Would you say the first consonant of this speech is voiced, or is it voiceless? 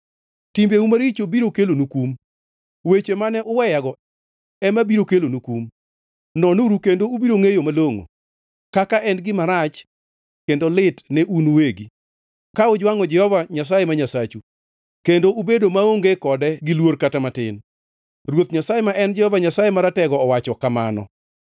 voiceless